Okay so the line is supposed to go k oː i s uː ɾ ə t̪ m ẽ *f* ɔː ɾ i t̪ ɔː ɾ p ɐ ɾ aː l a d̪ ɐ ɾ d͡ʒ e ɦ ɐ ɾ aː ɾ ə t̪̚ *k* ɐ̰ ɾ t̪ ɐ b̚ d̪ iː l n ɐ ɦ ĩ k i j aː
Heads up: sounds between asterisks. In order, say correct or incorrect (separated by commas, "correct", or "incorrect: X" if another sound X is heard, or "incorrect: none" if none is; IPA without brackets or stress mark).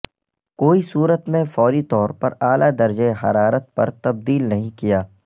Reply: correct, incorrect: p